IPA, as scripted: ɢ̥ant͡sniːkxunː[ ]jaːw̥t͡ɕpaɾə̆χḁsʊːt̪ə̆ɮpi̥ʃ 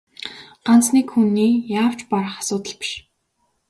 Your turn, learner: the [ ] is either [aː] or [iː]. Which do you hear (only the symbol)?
iː